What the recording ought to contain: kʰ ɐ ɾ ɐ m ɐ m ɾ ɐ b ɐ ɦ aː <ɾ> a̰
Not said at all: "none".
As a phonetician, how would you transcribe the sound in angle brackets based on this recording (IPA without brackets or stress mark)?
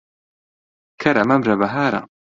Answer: ɾ